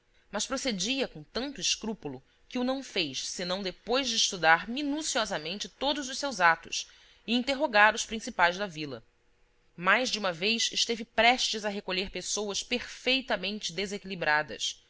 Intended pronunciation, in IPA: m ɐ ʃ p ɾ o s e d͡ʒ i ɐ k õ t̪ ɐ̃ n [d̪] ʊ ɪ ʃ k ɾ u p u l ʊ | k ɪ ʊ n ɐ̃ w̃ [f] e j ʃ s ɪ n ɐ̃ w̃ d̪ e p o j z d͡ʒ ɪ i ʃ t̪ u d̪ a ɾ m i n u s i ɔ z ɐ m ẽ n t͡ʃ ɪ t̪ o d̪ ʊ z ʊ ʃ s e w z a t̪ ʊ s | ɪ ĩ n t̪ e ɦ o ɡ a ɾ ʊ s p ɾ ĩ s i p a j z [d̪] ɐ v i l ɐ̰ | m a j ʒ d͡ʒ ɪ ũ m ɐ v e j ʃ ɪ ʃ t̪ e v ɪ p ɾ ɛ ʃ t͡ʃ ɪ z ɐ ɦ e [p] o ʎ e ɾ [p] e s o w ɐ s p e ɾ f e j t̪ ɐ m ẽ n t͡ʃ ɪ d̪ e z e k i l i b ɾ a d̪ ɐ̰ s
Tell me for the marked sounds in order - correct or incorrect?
incorrect, correct, correct, incorrect, correct

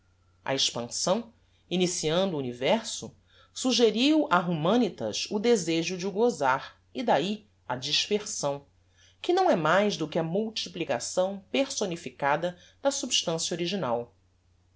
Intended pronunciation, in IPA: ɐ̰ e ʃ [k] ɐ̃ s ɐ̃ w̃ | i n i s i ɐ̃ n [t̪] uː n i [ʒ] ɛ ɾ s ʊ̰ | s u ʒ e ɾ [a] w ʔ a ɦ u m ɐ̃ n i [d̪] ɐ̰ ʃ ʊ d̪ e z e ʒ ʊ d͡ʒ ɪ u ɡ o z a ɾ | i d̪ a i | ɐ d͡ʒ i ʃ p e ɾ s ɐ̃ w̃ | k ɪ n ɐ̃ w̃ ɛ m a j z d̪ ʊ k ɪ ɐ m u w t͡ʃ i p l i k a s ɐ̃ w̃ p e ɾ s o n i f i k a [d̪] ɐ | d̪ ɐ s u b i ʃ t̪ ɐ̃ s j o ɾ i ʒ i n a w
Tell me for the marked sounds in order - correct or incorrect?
incorrect, incorrect, incorrect, incorrect, incorrect, correct

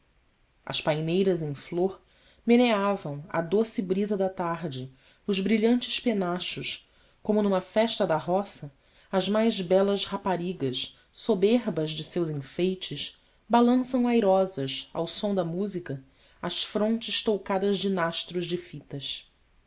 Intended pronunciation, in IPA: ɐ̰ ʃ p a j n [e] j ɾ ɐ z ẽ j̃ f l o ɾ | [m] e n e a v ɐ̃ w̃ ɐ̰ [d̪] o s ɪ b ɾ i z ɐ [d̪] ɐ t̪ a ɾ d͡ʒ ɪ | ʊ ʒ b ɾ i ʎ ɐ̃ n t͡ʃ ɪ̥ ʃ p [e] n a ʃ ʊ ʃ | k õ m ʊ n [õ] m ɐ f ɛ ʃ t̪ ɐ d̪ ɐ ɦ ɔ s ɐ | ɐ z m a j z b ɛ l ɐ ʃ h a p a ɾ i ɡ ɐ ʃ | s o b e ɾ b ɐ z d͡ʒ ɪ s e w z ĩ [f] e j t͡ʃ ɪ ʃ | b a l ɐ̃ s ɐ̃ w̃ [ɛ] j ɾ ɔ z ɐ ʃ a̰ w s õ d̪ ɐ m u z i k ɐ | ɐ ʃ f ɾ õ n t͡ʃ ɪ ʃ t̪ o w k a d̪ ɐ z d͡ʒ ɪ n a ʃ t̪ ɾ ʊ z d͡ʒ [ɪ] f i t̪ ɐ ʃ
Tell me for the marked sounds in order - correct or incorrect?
correct, correct, correct, correct, correct, incorrect, correct, incorrect, correct

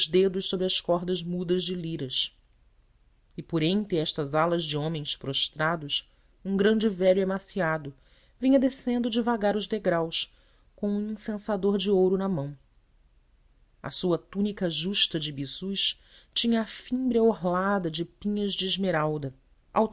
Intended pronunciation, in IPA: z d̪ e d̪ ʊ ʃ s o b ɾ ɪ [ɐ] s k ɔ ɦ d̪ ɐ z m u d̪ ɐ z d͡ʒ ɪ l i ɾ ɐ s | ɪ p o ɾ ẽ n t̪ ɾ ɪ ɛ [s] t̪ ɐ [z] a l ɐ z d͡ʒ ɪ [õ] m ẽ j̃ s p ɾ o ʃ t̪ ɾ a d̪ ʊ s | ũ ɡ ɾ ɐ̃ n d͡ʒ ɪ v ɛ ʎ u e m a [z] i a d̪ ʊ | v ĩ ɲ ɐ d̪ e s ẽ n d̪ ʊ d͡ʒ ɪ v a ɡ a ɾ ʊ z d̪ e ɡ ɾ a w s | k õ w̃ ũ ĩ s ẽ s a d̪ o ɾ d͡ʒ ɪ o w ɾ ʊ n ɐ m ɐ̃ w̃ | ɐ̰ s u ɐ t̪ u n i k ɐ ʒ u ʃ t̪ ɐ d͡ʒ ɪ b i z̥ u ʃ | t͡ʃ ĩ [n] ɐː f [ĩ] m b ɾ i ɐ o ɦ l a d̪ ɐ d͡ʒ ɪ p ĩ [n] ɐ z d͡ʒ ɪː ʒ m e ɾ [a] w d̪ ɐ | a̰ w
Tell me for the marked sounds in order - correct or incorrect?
correct, incorrect, correct, correct, incorrect, incorrect, correct, incorrect, correct

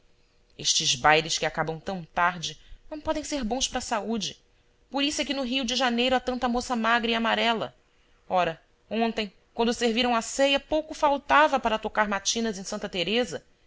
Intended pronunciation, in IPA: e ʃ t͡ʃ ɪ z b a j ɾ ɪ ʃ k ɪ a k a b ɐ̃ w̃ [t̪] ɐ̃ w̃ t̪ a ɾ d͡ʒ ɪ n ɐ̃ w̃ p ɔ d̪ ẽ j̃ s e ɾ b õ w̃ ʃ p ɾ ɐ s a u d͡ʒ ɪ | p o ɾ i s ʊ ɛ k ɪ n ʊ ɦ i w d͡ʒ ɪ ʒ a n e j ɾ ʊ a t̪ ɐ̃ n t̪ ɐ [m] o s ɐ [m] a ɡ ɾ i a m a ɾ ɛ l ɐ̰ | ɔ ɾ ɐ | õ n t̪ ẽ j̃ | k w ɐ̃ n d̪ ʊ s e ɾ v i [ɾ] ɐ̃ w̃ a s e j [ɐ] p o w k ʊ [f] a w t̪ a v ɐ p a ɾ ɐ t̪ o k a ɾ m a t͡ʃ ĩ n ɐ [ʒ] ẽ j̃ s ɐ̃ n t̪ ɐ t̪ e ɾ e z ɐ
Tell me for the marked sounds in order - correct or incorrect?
correct, correct, correct, correct, correct, correct, incorrect

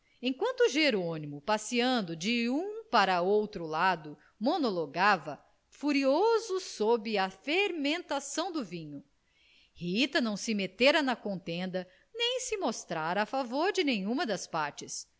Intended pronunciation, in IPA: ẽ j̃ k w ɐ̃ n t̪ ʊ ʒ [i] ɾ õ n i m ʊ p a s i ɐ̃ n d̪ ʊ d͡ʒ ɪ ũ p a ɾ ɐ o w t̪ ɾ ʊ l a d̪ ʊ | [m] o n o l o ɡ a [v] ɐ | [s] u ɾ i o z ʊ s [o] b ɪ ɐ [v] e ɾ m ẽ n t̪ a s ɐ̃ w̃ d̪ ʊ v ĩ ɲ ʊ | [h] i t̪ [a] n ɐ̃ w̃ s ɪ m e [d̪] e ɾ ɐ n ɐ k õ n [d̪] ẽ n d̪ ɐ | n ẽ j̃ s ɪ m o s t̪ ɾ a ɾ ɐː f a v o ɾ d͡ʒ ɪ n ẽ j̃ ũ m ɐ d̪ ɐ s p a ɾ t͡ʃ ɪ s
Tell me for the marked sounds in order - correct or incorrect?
incorrect, correct, correct, incorrect, correct, incorrect, correct, incorrect, incorrect, incorrect

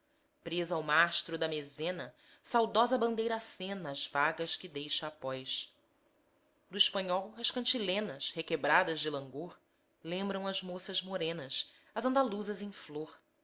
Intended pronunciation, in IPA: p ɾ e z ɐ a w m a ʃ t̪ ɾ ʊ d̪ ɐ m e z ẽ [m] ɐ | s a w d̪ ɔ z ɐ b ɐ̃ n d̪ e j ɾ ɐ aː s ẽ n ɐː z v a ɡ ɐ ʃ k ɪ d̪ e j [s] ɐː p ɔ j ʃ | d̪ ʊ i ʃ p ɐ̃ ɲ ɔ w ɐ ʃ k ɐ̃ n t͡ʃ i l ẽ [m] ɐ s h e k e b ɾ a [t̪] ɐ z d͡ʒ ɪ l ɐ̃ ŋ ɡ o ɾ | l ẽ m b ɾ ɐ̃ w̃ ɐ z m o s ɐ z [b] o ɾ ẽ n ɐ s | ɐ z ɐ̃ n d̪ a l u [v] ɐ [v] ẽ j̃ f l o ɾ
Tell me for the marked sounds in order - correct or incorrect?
incorrect, incorrect, incorrect, incorrect, incorrect, incorrect, incorrect

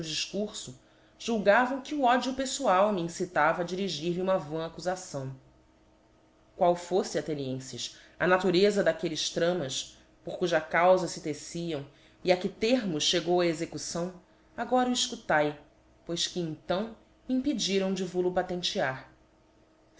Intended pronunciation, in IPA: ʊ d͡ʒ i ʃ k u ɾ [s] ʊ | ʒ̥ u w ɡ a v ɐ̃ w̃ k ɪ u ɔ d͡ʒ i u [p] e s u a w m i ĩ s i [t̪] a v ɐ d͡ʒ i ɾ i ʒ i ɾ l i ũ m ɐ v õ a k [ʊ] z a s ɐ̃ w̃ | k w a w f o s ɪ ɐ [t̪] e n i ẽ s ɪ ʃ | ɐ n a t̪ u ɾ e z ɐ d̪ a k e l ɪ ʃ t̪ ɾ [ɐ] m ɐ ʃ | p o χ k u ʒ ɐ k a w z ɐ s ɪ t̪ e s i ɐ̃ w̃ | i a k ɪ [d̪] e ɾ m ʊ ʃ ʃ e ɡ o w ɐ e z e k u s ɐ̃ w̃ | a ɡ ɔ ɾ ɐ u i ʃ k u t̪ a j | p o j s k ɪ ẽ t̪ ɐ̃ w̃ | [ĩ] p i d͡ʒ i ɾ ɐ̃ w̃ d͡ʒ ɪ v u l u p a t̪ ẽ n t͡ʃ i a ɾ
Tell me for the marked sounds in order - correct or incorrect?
correct, correct, correct, incorrect, correct, incorrect, incorrect, correct

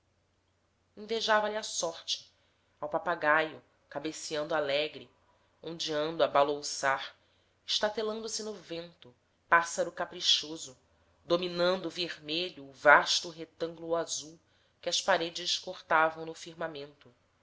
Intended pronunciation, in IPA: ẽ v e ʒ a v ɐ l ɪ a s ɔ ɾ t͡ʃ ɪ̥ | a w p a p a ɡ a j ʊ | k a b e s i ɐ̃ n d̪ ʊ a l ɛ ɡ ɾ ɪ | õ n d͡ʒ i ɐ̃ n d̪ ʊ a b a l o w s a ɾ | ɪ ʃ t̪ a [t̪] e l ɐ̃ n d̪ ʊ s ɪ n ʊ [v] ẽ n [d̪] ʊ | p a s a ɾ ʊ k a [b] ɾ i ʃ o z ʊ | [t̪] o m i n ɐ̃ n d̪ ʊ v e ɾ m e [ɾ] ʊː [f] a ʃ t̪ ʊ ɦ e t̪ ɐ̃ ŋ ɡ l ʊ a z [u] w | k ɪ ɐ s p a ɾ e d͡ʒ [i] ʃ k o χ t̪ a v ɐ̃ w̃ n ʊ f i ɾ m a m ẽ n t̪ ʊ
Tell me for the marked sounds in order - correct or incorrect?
correct, correct, incorrect, incorrect, incorrect, incorrect, incorrect, correct, incorrect

